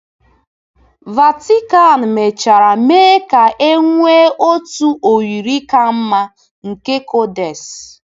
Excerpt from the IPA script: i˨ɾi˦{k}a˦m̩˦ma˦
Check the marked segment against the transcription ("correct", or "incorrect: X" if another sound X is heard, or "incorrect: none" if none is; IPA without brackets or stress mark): correct